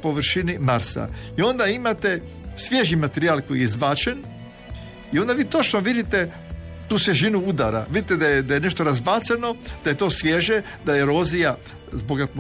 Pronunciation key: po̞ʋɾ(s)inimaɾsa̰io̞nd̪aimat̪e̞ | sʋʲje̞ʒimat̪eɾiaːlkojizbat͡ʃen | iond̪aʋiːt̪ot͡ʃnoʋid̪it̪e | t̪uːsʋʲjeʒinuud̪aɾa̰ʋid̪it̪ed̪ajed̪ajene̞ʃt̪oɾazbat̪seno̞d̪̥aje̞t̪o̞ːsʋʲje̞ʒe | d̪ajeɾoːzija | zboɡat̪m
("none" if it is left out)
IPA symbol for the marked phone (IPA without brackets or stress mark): ʃ